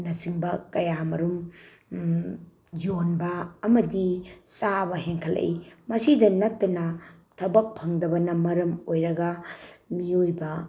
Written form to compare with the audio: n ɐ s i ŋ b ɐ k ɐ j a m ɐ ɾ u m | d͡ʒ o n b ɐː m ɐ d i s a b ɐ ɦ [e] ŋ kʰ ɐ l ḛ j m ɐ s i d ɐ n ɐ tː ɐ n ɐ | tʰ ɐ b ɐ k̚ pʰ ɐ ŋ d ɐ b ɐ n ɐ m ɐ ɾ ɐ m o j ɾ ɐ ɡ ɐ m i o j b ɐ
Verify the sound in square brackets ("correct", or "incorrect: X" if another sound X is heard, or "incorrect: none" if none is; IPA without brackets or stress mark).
correct